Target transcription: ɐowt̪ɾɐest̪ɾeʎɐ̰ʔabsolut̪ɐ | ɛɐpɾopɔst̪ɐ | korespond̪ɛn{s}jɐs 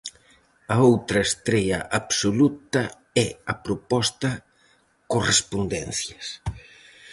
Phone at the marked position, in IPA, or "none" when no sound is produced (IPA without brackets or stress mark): θ